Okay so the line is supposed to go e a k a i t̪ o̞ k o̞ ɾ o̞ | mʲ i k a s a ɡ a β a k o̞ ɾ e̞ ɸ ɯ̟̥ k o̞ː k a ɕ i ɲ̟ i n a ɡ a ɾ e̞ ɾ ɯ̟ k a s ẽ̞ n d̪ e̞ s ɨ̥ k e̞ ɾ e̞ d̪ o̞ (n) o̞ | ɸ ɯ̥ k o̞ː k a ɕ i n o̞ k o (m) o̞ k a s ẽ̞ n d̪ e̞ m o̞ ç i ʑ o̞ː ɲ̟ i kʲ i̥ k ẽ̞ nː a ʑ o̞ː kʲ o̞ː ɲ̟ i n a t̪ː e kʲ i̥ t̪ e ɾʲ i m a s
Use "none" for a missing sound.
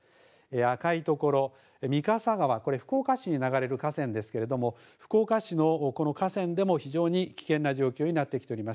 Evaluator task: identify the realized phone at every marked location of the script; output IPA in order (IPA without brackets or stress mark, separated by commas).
m, n